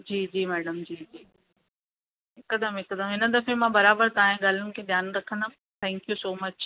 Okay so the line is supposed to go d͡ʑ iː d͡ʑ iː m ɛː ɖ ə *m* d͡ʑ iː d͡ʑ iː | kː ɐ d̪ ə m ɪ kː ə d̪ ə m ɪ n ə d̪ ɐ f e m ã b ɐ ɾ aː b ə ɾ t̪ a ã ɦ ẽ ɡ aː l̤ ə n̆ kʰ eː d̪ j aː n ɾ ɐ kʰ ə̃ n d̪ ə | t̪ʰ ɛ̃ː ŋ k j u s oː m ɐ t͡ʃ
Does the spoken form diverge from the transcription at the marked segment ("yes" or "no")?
no